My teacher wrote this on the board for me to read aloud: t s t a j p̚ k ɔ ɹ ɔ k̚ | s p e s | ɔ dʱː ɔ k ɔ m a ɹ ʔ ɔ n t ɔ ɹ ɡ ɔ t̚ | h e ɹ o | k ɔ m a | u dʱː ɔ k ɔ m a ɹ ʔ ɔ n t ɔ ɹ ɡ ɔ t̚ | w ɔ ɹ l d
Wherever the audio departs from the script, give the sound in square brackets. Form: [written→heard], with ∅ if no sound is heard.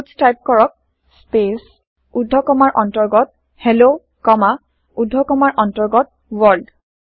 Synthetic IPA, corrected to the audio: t s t a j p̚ k ɔ ɹ ɔ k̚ | s p e s | [ɔ→u] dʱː ɔ k ɔ m a ɹ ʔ ɔ n t ɔ ɹ ɡ ɔ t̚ | h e [ɹ→l] o | k ɔ m a | u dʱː ɔ k ɔ m a ɹ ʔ ɔ n t ɔ ɹ ɡ ɔ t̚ | w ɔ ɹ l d